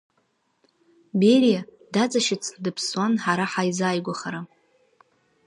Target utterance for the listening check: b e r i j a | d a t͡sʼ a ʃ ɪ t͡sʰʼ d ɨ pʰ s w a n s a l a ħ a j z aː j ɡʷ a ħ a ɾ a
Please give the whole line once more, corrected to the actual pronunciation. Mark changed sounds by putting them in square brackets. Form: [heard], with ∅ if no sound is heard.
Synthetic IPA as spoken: b e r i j a | d a t͡sʼ a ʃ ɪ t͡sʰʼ d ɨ pʰ s w a n [ħ] a [ɾ] a ħ a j z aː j ɡʷ a [χ] a ɾ a